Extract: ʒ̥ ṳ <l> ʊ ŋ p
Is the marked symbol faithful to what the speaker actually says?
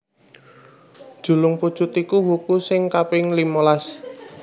yes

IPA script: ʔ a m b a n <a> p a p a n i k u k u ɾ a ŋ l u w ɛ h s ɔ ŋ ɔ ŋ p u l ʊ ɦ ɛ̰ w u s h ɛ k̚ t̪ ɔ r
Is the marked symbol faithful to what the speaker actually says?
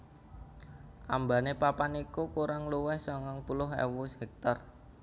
no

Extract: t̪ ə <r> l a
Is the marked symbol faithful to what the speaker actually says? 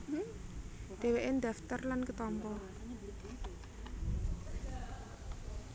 yes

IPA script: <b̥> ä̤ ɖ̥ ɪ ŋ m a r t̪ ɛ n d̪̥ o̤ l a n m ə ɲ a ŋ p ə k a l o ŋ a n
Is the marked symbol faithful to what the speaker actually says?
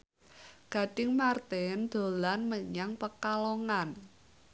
no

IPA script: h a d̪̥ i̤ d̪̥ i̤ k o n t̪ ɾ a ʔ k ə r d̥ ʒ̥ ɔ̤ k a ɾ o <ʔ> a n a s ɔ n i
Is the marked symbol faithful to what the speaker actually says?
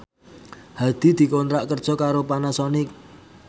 no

